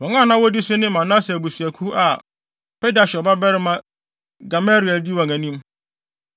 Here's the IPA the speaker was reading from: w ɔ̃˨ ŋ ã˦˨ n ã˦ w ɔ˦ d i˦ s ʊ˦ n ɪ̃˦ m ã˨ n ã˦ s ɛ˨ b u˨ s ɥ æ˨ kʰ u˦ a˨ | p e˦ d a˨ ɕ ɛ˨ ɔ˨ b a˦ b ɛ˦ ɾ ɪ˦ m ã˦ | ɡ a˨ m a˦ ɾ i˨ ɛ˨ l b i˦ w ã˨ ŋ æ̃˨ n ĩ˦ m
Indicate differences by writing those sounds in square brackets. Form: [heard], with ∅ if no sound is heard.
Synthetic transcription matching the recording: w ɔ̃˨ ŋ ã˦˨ n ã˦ w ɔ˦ d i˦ s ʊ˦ n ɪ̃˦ m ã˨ n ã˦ s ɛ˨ b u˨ s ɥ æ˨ kʰ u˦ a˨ | p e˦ d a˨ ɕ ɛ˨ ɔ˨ b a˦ b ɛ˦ ɾ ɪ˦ m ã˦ | ɡ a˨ m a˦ ɾ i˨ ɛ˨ l [d] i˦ w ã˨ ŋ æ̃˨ n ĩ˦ m